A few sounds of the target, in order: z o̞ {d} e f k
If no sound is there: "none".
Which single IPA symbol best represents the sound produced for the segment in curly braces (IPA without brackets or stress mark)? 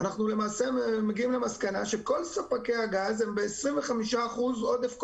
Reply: d